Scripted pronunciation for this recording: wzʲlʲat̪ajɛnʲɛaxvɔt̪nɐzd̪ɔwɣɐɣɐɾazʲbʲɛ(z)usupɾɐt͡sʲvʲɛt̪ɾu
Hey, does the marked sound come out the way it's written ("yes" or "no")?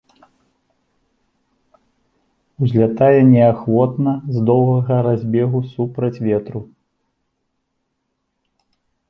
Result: no